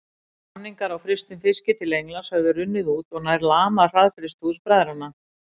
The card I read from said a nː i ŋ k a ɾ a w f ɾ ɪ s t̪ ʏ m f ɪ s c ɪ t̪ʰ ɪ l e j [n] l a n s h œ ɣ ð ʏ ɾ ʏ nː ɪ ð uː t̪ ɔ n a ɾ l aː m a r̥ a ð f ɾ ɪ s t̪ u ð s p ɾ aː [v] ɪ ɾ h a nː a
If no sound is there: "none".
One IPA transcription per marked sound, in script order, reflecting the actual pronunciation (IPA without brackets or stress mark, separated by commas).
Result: ŋ, ð